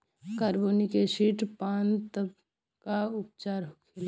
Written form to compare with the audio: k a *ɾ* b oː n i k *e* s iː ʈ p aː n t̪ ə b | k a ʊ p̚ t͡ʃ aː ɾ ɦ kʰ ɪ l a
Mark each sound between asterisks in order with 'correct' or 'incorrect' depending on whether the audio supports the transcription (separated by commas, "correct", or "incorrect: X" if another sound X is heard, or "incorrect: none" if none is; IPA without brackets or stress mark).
correct, correct